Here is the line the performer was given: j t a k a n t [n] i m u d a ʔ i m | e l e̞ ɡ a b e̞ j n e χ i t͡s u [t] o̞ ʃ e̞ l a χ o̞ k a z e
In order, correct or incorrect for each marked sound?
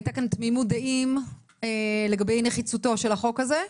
incorrect: m, correct

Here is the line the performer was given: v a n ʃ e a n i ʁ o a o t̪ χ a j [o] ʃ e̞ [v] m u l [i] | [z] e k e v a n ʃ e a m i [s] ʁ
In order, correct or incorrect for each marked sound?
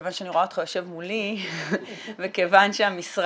correct, correct, correct, incorrect: v, correct

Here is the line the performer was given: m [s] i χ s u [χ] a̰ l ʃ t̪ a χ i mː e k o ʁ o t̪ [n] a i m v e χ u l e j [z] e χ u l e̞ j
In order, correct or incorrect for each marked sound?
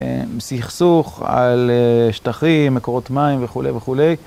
correct, correct, incorrect: m, incorrect: v

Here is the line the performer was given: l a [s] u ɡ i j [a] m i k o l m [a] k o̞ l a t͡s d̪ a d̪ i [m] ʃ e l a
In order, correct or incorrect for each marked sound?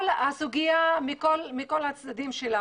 correct, correct, incorrect: i, correct

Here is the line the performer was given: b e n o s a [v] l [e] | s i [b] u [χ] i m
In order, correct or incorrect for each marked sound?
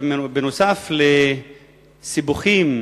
incorrect: f, correct, correct, correct

